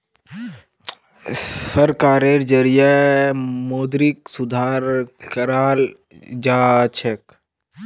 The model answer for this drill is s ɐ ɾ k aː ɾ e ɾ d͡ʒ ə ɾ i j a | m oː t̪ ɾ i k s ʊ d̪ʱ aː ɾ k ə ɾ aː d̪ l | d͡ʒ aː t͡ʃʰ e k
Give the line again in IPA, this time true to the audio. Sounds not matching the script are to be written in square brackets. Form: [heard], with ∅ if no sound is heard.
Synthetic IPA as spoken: s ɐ ɾ k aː ɾ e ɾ d͡ʒ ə ɾ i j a | m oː [d̪] ɾ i k s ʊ d̪ʱ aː ɾ k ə ɾ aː [∅] l | d͡ʒ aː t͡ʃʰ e k